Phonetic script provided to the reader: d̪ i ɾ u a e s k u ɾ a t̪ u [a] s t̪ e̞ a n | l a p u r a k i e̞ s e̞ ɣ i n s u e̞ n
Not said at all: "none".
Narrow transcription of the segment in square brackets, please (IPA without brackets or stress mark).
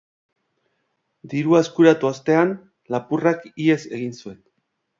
a